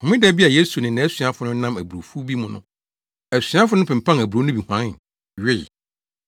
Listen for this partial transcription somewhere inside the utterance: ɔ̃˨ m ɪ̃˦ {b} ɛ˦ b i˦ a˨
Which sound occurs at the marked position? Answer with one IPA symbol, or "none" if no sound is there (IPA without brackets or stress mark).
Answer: d